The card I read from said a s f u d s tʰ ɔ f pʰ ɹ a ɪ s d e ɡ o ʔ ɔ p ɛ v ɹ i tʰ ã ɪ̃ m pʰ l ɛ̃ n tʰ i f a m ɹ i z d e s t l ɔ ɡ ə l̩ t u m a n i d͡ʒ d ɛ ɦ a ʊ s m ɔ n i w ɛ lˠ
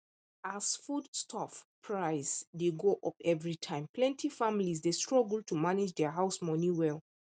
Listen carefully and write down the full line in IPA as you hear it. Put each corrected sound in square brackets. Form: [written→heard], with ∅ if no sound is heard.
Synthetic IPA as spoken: a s f u d s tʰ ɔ f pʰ ɹ a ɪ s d e ɡ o ʔ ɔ p ɛ v ɹ i tʰ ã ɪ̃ m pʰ l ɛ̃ n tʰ i f a m [ɹ→l] i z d e s t [l→ɹ] ɔ ɡ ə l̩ t u m a n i d͡ʒ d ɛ ɦ a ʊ s m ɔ n i w ɛ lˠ